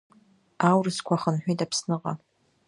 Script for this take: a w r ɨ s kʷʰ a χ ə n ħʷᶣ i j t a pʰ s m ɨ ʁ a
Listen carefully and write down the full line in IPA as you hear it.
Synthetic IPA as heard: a w r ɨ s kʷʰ a χ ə n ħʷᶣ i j t a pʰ s n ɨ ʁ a